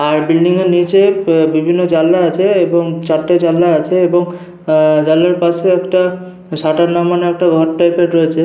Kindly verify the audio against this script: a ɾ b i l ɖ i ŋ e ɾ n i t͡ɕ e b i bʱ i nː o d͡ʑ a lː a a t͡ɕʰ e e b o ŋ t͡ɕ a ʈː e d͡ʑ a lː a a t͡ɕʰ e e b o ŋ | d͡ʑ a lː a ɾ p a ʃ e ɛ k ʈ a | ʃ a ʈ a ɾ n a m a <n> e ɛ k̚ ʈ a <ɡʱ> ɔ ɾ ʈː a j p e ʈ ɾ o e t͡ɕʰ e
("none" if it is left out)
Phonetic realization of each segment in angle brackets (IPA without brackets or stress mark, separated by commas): n, ɡʱ